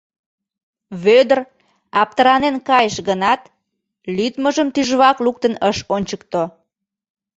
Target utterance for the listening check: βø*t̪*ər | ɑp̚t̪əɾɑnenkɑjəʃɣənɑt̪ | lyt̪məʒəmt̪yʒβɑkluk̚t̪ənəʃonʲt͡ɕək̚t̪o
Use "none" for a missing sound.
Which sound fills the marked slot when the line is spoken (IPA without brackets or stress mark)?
d̪